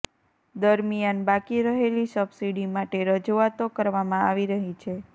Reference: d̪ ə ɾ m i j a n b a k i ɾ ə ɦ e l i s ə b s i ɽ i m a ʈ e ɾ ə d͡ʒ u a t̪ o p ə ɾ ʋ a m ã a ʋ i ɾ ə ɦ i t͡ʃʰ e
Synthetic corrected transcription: d̪ ə ɾ m i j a n b a k i ɾ ə ɦ e l i s ə b s i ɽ i m a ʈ e ɾ ə d͡ʒ u a t̪ o k ə ɾ ʋ a m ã a ʋ i ɾ ə ɦ i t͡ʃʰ e